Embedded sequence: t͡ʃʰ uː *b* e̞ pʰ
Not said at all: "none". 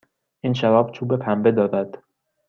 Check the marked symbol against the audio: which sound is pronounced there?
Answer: b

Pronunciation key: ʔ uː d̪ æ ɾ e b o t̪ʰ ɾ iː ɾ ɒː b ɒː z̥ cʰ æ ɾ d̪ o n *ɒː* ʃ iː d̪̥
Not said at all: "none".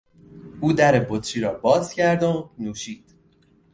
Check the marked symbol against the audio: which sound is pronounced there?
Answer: uː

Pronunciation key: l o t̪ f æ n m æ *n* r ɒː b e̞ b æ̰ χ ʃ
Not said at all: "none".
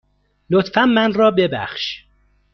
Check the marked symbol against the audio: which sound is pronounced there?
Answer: n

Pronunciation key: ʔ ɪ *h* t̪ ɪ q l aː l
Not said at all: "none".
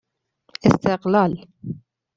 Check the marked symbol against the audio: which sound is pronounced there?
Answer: s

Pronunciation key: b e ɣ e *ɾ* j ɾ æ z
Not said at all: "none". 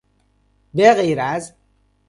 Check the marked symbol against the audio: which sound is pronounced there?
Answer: none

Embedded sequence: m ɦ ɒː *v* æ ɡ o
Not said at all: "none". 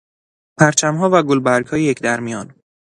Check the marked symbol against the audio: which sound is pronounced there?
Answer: v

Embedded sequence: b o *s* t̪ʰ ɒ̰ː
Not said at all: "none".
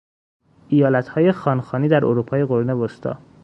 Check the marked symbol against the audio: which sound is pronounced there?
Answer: s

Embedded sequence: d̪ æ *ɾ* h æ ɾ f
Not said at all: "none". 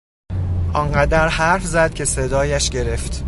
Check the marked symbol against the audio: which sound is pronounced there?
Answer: ɾ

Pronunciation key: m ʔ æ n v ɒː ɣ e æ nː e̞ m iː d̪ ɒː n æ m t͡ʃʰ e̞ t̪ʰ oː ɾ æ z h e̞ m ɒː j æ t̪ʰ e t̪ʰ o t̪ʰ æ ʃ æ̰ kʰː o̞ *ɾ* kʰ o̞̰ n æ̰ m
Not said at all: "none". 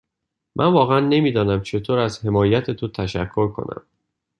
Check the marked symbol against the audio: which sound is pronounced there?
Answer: ɾ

